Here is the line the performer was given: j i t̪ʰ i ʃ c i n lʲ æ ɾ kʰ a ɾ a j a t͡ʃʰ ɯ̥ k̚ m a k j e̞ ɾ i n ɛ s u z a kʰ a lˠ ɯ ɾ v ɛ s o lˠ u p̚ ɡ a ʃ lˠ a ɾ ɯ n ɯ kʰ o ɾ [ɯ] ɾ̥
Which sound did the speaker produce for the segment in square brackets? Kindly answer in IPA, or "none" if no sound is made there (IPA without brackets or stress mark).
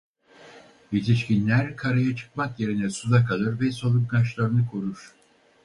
u